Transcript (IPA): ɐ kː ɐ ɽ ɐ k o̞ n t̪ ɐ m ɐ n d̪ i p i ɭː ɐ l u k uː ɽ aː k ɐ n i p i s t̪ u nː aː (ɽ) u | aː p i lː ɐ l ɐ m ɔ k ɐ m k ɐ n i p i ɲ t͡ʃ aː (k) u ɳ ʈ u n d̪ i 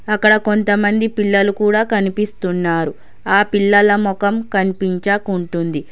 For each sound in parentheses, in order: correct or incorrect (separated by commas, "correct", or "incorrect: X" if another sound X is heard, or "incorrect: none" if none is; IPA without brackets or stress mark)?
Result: incorrect: ɾ, correct